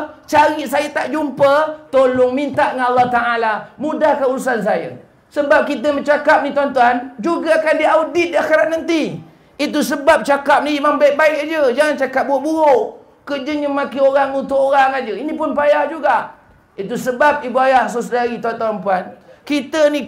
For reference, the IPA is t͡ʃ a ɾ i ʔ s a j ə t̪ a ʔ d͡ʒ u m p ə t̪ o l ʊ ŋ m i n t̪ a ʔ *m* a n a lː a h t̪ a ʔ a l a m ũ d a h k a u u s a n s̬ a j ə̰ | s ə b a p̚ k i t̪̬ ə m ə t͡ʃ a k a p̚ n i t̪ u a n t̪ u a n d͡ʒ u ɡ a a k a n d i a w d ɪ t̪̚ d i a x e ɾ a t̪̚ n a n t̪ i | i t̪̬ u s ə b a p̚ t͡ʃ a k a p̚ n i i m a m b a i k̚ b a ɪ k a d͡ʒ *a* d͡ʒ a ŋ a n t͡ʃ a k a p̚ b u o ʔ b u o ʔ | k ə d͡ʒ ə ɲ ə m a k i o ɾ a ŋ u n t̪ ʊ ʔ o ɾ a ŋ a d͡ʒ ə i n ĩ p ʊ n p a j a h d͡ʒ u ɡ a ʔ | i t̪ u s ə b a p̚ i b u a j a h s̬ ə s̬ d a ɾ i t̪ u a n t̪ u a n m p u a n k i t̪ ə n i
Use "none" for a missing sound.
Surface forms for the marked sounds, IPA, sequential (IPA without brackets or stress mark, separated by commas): ŋ, ə